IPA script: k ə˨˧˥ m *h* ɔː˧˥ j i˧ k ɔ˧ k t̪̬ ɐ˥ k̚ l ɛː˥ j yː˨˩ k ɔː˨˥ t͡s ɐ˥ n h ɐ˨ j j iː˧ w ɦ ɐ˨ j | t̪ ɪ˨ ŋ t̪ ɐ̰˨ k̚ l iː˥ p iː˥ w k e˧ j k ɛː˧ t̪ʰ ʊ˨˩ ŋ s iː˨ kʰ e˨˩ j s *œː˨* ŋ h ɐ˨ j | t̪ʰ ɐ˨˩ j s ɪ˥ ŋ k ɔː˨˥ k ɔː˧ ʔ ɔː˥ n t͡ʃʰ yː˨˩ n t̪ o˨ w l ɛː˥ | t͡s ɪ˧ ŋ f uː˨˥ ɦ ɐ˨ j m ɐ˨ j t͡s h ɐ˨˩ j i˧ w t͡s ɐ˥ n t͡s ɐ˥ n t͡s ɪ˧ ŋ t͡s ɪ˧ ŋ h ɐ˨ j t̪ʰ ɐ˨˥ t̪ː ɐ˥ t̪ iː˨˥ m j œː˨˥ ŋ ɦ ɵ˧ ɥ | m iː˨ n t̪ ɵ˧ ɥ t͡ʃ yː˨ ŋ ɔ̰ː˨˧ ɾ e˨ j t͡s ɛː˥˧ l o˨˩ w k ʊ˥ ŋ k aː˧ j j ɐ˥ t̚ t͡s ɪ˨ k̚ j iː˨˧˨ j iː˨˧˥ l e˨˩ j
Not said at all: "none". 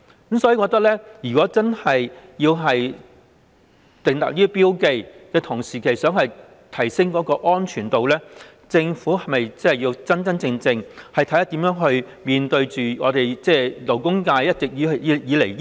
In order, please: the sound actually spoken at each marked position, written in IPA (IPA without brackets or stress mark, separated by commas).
s, œː˨˥